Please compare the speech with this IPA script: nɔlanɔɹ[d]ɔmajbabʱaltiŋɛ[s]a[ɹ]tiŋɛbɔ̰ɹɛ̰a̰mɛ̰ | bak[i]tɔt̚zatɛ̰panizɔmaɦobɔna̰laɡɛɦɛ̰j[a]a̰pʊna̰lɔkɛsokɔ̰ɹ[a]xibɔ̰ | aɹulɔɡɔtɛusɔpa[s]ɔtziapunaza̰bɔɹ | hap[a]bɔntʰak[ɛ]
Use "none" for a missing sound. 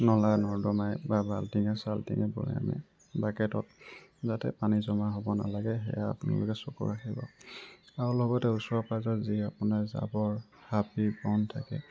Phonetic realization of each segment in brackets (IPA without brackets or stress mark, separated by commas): d, s, l, ɛ, a, a, z, i, ɛ